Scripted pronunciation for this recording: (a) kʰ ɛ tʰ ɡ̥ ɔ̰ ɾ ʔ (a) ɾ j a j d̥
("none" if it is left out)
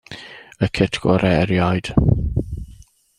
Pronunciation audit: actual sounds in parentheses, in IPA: ə, ɛ

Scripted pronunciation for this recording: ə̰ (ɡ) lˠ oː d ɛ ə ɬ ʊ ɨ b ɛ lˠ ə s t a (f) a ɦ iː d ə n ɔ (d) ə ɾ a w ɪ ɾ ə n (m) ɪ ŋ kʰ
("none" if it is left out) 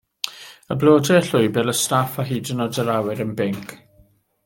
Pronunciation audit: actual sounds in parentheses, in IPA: b, f, d, b

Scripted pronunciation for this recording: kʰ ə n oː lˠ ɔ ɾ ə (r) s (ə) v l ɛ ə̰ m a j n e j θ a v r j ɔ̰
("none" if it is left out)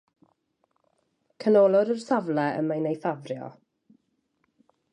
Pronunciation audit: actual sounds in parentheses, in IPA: r, a

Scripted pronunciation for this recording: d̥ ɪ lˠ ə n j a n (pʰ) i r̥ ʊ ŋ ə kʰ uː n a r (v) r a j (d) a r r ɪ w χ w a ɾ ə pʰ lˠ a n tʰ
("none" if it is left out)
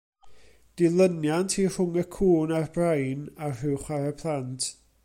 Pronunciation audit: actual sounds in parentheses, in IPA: tʰ, b, n

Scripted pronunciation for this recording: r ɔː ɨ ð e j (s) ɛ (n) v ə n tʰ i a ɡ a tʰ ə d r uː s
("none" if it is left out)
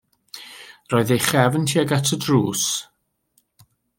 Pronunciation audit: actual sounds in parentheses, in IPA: χ, none

